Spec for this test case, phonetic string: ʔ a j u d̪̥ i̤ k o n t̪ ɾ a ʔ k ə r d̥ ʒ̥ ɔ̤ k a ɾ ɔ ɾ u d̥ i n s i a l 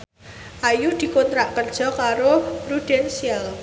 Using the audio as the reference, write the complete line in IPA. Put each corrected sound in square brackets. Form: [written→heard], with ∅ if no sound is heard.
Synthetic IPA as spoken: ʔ a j u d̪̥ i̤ k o n t̪ ɾ a ʔ k ə r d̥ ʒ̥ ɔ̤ k a ɾ [ɔ→o] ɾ u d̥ [i→ɛ] n s i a l